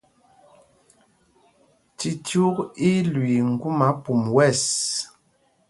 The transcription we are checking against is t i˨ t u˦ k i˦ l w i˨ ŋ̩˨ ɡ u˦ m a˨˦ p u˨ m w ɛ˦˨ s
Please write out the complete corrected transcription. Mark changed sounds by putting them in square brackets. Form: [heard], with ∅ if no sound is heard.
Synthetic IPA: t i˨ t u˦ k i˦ l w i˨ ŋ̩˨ ɡ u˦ m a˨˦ p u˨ m w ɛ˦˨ s